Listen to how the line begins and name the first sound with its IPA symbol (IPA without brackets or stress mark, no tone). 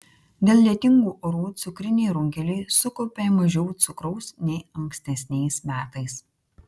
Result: d̪ʲ